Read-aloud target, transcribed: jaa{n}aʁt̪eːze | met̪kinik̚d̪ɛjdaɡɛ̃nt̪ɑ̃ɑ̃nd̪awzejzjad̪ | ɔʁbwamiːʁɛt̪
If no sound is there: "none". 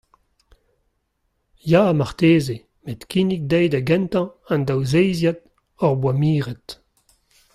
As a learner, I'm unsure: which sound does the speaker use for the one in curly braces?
m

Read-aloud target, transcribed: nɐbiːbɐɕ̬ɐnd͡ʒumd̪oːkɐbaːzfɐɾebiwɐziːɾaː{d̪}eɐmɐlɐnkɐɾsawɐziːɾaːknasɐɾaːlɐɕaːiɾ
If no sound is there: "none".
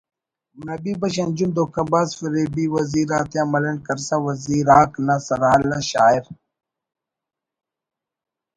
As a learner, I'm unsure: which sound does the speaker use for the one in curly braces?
t̪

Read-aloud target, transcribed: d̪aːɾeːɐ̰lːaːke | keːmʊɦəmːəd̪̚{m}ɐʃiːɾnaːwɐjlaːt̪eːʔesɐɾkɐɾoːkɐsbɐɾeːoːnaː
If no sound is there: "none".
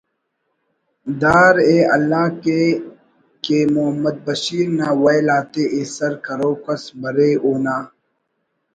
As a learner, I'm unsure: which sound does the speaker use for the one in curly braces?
b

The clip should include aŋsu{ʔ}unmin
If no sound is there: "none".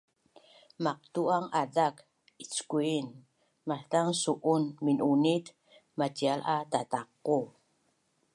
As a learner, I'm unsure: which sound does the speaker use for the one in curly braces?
ʔ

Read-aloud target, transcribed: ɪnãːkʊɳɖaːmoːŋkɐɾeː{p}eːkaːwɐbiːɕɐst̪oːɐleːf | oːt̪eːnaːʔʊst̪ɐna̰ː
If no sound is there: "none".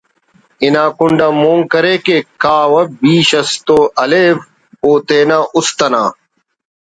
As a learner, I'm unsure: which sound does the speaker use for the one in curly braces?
k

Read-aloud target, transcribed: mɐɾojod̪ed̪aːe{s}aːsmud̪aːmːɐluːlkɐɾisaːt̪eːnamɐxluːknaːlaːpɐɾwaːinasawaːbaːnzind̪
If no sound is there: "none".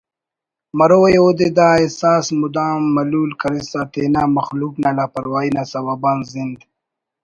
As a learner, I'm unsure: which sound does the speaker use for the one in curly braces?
s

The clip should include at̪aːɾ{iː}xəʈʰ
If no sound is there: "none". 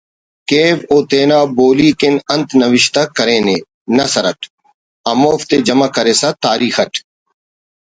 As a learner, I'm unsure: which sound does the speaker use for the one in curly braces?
iː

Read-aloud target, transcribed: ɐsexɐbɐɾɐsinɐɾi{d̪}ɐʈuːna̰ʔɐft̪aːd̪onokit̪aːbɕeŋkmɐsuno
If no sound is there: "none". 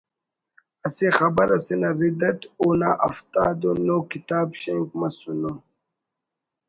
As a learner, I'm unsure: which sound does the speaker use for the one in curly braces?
d̪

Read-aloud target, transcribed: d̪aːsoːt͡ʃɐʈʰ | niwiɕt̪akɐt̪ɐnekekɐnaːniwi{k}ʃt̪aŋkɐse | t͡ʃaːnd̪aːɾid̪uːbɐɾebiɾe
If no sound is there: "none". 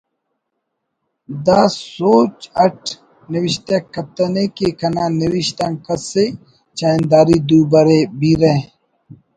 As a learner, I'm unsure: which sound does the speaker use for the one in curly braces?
none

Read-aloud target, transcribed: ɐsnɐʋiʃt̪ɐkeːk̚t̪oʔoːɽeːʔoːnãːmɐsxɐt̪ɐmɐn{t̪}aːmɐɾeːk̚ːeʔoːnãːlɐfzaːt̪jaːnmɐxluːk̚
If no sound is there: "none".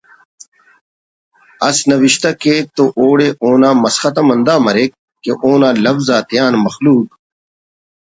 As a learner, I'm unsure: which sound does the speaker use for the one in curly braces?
d̪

